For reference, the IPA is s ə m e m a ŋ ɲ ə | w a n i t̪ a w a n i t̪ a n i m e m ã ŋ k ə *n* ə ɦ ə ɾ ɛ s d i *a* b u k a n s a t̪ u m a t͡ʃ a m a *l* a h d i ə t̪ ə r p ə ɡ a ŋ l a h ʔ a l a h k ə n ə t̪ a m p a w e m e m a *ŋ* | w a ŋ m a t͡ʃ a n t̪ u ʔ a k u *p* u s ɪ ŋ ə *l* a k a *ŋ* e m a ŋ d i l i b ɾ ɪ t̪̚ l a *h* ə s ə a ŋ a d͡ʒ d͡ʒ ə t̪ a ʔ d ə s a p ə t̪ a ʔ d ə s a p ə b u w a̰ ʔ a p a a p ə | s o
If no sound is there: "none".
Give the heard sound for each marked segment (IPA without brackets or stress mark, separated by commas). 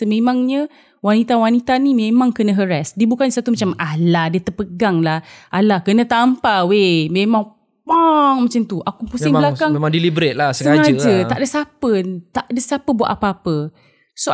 n, ə, l, ŋ, p, l, ŋ, s